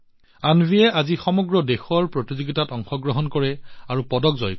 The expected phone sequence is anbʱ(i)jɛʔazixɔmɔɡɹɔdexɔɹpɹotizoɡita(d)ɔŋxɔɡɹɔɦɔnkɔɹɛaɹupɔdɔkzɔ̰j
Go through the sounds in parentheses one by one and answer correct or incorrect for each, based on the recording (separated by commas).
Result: correct, incorrect